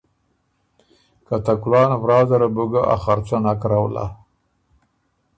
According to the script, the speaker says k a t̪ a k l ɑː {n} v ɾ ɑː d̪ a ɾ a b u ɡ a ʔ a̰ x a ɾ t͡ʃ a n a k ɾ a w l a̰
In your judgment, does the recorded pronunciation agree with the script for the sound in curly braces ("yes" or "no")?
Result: yes